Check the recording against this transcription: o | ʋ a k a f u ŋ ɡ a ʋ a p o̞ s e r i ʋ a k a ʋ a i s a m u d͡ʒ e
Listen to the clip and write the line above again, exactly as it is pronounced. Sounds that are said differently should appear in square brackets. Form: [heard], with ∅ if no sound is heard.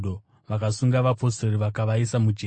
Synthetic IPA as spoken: o | ʋ a k a [s] u ŋ ɡ a ʋ a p o̞ s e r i ʋ a k a ʋ a i s a m u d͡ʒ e